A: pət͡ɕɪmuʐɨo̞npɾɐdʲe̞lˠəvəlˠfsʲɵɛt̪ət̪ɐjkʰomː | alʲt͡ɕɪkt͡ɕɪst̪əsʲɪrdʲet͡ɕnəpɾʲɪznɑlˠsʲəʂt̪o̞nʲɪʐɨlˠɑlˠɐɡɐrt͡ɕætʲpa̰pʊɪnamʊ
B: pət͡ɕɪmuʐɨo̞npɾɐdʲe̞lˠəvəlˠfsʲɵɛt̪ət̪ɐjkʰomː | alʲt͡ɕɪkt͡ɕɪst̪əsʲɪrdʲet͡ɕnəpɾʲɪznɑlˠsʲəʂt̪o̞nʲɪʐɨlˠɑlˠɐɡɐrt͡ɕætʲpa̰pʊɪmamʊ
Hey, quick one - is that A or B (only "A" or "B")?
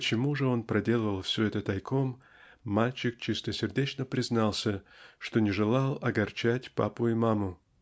B